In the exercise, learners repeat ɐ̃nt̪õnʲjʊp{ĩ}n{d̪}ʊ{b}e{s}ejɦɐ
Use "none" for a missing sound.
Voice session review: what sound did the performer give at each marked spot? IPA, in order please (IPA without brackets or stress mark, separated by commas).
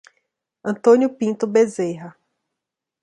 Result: ĩ, t̪, b, z